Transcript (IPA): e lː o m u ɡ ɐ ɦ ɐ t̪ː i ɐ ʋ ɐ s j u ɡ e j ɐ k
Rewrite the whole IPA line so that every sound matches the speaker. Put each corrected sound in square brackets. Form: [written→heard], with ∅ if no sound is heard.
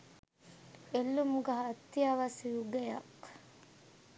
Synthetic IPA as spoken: e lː [o→u] m u ɡ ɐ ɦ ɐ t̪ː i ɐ ʋ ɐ s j u ɡ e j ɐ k